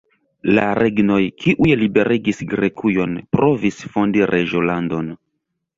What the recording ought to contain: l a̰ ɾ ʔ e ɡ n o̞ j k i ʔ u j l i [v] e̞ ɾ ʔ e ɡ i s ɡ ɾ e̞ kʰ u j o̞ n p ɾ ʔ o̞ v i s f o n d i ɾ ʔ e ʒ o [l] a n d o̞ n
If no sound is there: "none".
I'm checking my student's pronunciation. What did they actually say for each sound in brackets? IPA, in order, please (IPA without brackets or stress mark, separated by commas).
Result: b, l